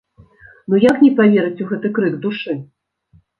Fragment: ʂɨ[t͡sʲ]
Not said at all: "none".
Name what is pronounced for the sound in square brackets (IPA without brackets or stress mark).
none